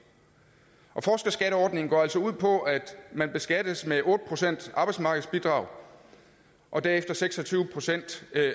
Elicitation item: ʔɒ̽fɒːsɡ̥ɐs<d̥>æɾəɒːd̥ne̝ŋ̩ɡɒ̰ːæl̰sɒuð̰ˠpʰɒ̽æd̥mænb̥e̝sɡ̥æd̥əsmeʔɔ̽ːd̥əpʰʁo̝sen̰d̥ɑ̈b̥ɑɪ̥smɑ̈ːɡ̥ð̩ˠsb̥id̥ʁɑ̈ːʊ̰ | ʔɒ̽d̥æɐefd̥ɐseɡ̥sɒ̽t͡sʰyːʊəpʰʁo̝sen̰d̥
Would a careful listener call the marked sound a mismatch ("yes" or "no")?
yes